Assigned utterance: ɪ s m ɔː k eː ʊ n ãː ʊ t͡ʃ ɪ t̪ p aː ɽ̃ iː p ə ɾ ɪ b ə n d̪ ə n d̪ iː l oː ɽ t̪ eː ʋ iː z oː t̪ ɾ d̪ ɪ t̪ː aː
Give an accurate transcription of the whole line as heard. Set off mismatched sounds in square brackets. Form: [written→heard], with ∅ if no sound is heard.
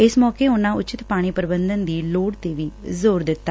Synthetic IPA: ɪ s m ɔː k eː ʊ n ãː ʊ t͡ʃ ɪ t̪ p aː ɽ̃ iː p ə ɾ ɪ b ə n d̪ ə n d̪ iː l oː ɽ t̪ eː ʋ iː z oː [t̪→∅] ɾ d̪ ɪ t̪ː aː